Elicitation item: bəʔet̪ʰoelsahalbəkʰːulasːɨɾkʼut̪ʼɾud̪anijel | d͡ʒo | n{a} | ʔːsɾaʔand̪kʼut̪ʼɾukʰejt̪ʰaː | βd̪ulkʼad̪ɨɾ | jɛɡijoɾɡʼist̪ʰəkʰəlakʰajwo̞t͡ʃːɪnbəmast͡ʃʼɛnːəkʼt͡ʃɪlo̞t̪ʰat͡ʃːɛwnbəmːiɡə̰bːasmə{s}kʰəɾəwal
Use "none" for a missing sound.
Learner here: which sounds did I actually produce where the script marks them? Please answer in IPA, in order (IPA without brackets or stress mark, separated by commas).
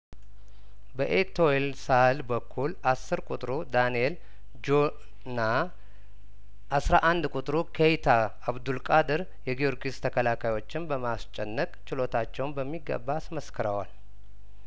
a, s